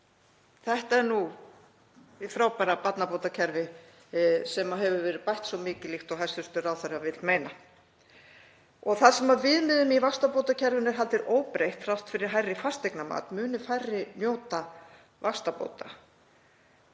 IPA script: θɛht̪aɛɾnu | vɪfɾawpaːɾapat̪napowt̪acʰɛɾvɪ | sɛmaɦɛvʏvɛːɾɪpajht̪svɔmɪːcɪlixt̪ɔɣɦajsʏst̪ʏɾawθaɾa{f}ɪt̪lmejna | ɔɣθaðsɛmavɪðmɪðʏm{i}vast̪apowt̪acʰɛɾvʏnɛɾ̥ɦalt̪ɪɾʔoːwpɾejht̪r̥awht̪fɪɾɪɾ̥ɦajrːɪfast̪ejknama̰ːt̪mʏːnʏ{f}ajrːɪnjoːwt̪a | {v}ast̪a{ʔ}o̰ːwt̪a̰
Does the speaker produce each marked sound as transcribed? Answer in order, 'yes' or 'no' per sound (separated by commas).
no, yes, yes, yes, no